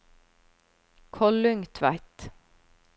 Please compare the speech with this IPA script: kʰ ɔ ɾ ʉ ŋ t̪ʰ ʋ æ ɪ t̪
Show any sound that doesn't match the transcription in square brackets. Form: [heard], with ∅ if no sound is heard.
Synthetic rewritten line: kʰ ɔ [l] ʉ ŋ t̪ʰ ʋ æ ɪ t̪